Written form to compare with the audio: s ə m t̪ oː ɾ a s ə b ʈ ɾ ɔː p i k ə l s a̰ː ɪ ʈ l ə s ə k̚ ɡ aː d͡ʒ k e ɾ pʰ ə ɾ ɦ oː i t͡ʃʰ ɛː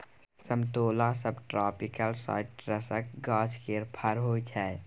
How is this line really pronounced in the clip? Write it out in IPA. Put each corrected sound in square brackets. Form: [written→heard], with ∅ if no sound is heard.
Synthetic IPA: s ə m t̪ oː [ɾ→l] a s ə b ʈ ɾ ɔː p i k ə l s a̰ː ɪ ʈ [l→ɾ] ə s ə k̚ ɡ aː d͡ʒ k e ɾ pʰ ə ɾ ɦ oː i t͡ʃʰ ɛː